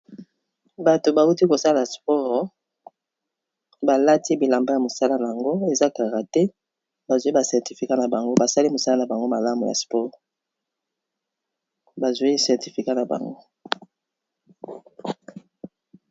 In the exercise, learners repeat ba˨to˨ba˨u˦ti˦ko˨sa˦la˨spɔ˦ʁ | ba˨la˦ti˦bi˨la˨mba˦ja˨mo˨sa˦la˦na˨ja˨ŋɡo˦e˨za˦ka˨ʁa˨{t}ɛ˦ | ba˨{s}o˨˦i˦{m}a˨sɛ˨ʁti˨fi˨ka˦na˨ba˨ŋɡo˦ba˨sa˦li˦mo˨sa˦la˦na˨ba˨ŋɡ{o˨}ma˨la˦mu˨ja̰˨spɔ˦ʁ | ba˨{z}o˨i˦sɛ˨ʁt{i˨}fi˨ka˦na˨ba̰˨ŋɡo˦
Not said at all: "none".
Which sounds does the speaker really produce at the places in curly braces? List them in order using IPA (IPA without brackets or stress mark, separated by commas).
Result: t, z, b, o˦, z, i˨